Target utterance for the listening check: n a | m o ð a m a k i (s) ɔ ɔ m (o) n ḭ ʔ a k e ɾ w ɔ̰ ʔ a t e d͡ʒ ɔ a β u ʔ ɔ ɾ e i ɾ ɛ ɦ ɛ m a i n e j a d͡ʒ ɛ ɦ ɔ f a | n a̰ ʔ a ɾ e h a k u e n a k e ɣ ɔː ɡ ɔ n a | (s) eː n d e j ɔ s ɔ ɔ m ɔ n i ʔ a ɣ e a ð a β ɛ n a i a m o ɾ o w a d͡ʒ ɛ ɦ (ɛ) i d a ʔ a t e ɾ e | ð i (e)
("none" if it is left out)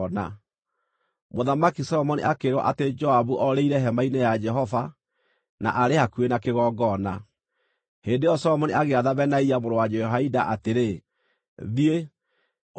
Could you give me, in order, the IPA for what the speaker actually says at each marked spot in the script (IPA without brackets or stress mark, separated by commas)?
s, ɔ, h, a, e